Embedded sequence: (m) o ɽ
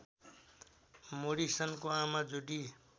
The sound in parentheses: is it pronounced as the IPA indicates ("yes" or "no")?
yes